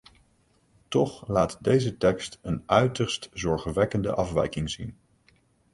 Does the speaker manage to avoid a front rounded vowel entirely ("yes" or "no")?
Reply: no